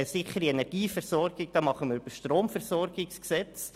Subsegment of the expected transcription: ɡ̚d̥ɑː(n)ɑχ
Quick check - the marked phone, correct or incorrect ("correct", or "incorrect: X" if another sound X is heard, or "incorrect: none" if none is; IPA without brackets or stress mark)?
incorrect: m